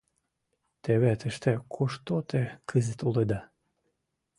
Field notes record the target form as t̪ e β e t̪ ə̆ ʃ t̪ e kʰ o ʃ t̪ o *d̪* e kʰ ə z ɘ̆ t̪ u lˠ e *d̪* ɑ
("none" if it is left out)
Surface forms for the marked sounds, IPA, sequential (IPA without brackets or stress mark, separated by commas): t̪, d̪